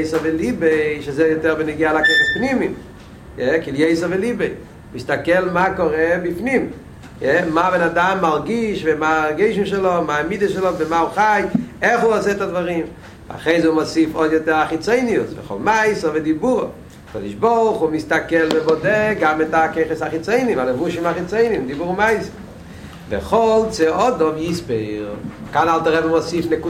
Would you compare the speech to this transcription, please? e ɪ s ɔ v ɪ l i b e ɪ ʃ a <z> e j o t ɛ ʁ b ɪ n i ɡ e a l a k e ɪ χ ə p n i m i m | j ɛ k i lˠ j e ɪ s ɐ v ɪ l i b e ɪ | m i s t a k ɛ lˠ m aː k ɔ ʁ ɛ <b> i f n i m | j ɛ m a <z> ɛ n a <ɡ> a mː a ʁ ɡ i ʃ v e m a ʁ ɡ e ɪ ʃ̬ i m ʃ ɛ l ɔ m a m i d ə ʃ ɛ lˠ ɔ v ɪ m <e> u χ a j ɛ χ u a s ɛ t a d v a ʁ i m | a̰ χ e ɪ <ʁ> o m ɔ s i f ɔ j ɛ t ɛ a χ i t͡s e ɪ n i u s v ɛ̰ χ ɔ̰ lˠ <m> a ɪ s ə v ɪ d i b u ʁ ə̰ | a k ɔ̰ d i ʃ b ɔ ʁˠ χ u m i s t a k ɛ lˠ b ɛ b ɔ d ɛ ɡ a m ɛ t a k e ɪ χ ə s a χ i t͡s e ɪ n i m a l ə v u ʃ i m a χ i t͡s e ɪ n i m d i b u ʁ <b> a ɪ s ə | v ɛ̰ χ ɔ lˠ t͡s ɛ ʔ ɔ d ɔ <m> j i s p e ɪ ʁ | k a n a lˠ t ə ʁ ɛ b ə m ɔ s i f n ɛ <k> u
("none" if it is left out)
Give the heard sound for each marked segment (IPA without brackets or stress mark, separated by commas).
z, b, v, d, a, z, m, m, m, k